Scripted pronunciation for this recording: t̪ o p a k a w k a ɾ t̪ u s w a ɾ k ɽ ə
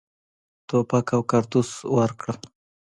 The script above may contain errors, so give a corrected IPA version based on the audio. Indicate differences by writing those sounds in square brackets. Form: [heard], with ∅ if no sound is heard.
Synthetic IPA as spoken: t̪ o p a k a w k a ɾ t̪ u s w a ɾ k ɽ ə

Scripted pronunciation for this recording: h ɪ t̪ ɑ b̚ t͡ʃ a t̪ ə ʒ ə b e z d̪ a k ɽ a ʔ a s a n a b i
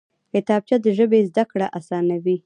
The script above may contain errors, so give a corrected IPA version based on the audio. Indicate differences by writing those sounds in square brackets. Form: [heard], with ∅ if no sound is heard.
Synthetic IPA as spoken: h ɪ t̪ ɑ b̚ t͡ʃ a [d̪] ə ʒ ə b e z d̪ a k ɽ a ʔ a s [ɑ] n a [w] i

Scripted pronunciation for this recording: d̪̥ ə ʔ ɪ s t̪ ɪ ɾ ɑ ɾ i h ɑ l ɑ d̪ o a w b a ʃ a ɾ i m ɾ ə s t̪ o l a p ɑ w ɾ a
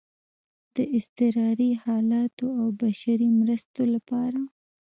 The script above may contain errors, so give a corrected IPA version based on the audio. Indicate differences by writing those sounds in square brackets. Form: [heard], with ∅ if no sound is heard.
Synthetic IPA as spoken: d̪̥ ə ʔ ɪ s t̪ ɪ ɾ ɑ ɾ i h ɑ l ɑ [t̪] o a w b a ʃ a ɾ i m ɾ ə s t̪ o l a p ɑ [∅] ɾ a

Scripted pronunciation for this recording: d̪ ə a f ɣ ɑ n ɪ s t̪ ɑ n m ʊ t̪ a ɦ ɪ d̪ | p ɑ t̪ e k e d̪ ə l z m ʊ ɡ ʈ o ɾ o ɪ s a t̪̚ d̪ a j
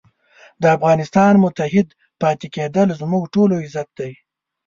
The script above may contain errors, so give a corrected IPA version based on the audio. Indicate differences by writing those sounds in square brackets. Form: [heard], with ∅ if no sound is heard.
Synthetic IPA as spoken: d̪ ə a f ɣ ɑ n ɪ s t̪ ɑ n m ʊ t̪ a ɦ ɪ d̪ | p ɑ t̪ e k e d̪ ə l z m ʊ ɡ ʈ o [l] o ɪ [z] a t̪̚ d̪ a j

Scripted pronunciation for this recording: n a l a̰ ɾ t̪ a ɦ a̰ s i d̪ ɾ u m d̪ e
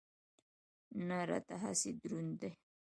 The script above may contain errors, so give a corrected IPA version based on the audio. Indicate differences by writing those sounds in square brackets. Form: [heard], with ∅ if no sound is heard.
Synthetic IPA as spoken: n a [ɾ] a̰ [∅] t̪ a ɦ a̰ s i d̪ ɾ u [n] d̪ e

